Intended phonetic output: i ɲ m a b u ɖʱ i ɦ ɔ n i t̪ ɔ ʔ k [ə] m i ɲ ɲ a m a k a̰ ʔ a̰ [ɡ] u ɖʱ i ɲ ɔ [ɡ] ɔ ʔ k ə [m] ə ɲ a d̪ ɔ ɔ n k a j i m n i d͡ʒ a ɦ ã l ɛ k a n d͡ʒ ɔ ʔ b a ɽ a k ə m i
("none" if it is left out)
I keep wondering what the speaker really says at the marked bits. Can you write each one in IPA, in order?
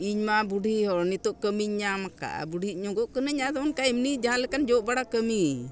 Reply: ə, b, ɡ, n

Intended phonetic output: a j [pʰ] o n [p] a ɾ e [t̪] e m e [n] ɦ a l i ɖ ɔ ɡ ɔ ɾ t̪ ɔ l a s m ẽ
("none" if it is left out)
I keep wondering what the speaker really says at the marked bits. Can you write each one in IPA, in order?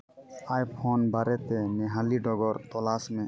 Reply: pʰ, b, t̪, none

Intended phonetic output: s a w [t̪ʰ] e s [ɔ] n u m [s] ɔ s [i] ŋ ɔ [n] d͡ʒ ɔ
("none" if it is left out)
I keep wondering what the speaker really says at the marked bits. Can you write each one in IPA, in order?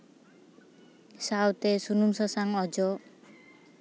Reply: t̪, u, s, a, none

